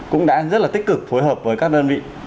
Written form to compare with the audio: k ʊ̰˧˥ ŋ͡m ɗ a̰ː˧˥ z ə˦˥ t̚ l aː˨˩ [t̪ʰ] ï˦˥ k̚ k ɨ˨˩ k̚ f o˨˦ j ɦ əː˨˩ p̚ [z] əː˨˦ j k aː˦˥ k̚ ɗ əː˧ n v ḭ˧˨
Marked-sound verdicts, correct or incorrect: incorrect: t̪, incorrect: v

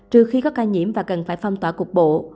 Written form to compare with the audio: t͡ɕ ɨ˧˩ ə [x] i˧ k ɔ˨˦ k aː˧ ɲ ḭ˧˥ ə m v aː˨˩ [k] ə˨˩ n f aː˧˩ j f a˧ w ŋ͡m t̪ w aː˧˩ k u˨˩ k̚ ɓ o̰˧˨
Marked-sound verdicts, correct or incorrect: correct, correct

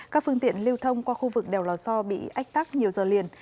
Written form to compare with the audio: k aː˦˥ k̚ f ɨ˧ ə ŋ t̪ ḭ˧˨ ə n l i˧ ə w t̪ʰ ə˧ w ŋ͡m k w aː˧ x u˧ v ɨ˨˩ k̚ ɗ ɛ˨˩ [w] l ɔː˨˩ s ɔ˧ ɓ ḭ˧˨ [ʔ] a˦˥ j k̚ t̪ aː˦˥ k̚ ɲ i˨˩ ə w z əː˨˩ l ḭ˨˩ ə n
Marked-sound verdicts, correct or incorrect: correct, correct

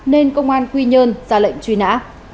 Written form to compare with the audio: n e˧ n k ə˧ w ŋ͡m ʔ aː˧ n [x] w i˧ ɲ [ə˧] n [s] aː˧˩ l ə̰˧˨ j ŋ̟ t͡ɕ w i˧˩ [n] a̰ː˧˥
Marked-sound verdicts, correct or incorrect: incorrect: k, incorrect: əː˧, incorrect: z, correct

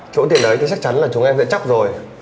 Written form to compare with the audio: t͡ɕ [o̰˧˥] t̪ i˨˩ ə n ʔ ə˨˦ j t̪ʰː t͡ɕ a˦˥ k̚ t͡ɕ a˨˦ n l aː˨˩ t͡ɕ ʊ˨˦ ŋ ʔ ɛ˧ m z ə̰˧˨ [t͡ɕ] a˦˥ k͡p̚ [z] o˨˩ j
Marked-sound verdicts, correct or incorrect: correct, correct, correct

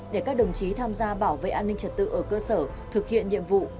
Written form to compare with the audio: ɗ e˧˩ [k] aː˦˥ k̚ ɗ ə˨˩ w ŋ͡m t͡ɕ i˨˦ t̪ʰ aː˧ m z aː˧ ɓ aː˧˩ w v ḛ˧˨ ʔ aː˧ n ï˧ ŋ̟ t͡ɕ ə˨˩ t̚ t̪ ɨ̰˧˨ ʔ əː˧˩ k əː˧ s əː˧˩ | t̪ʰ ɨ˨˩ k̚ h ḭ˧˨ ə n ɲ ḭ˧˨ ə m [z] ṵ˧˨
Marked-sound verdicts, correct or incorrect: correct, incorrect: v

